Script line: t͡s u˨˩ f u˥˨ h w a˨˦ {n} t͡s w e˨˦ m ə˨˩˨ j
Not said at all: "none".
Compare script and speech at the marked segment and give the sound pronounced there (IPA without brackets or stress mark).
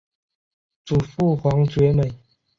ŋ